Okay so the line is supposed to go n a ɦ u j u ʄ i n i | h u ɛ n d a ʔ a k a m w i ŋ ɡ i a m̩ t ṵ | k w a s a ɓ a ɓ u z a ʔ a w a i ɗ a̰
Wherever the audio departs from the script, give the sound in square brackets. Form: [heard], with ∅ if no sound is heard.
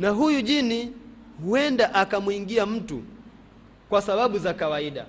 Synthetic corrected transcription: n a ɦ u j u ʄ i n i | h u ɛ n d a ʔ a k a m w i ŋ ɡ i a m̩ t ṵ | k w a s a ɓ a ɓ u z a [k] a w a i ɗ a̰